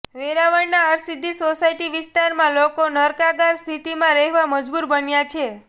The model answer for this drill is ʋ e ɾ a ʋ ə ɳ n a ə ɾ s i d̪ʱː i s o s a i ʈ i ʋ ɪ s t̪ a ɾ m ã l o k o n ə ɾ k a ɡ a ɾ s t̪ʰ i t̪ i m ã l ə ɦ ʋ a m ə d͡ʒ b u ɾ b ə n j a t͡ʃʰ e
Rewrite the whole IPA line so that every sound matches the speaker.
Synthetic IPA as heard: ʋ e ɾ a ʋ ə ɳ n a ə ɾ s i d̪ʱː i s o s a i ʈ i ʋ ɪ s t̪ a ɾ m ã l o k o n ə ɾ k a ɡ a ɾ s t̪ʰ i t̪ i m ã ɾ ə ɦ ʋ a m ə d͡ʒ b u ɾ b ə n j a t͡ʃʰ e